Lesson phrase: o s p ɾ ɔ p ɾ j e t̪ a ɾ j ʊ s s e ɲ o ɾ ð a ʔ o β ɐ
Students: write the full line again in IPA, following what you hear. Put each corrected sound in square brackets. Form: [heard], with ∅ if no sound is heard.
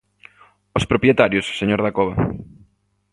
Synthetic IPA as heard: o s p ɾ [o] p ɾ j e t̪ a ɾ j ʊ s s e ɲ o ɾ ð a [k] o β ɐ